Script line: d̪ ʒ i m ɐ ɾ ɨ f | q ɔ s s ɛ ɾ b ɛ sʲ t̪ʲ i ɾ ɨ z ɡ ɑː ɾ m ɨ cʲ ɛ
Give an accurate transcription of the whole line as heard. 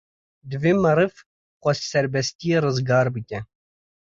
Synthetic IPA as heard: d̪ v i m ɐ ɾ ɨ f | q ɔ s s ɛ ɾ b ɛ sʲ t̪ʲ i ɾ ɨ z ɡ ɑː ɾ b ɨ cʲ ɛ